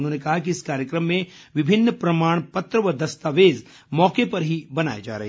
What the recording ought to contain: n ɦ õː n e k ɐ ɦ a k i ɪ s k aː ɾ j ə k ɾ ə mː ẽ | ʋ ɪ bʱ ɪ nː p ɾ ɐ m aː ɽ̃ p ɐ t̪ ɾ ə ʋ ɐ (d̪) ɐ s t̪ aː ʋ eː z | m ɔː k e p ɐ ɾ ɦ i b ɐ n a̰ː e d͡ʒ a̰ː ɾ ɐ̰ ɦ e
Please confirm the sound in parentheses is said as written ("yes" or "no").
yes